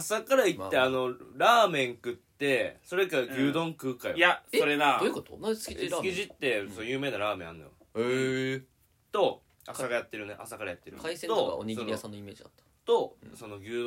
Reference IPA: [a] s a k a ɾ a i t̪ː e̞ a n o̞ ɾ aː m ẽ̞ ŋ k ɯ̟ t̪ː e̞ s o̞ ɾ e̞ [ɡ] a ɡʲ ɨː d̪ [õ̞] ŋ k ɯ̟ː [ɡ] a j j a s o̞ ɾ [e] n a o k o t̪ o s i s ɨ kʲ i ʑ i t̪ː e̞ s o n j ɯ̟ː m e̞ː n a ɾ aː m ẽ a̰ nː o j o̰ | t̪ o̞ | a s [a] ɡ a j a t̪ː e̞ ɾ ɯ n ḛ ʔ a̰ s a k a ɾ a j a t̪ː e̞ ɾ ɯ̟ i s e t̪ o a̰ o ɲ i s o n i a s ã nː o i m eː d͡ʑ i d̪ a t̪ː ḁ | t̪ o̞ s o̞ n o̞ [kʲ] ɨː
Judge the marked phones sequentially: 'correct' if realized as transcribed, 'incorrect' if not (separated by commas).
correct, incorrect, correct, incorrect, correct, correct, incorrect